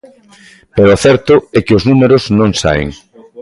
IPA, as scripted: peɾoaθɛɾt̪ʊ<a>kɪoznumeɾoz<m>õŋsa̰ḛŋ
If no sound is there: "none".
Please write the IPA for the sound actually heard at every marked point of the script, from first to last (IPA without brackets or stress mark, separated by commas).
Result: ɛ, n